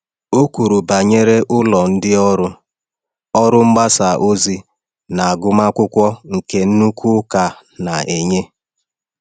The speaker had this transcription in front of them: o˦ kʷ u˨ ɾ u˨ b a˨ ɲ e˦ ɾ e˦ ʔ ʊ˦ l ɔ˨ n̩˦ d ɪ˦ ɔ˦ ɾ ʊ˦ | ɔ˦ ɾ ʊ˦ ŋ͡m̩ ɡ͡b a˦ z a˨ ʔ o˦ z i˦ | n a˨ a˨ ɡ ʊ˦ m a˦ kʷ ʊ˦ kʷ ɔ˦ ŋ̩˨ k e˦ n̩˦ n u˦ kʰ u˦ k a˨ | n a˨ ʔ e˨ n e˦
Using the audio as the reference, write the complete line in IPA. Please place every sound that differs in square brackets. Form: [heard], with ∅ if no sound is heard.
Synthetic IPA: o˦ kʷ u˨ ɾ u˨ b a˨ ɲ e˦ ɾ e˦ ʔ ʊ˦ l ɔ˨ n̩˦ d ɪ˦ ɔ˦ ɾ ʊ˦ | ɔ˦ ɾ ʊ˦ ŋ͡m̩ ɡ͡b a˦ [s] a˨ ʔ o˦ z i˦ | n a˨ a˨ ɡ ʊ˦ m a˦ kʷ ʊ˦ kʷ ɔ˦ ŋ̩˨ k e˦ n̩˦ n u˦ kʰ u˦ k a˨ | n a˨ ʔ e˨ [ɲ] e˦